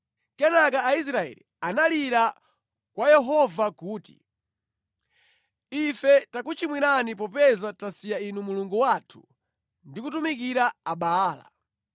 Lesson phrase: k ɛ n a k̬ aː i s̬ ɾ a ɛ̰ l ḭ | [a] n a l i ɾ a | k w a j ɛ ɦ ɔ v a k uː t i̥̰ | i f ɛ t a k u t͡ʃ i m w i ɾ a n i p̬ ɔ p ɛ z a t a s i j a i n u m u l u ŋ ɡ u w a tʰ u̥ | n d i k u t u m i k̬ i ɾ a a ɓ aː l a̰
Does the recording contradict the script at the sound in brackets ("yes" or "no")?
no